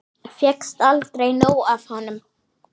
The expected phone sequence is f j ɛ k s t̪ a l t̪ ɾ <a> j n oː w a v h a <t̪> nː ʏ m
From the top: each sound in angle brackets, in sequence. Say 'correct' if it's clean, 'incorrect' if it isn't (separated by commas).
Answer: incorrect, incorrect